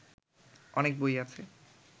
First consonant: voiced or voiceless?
voiced